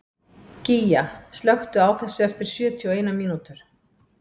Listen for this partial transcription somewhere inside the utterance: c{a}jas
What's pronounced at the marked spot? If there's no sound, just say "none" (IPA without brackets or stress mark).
i